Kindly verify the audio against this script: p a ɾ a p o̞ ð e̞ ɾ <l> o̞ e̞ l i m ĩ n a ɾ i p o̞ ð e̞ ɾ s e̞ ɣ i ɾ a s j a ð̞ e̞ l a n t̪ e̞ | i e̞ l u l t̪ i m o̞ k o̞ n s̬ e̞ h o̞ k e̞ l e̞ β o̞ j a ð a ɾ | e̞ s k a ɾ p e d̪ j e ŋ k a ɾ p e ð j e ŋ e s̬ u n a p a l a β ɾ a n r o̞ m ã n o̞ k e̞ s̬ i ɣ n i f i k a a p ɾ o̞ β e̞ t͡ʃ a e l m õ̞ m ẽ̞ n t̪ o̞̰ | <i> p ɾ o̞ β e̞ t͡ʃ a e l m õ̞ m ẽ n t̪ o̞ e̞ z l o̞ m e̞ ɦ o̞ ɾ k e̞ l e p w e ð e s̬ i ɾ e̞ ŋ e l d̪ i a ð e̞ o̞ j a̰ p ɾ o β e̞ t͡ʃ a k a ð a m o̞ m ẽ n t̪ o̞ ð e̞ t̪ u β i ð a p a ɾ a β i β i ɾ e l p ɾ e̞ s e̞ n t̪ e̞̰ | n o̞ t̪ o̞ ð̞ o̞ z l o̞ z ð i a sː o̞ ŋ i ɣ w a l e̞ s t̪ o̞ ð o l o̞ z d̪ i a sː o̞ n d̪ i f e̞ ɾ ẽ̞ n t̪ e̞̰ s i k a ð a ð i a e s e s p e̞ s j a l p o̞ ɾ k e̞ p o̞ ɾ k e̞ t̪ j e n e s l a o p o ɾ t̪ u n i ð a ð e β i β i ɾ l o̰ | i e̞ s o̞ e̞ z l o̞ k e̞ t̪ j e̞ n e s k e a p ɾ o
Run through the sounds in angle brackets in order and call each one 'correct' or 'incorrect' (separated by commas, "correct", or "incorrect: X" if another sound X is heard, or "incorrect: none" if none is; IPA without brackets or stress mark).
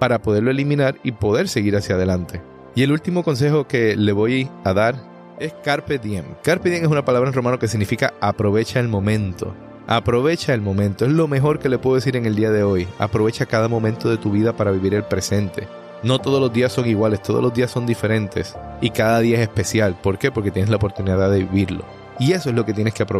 correct, incorrect: a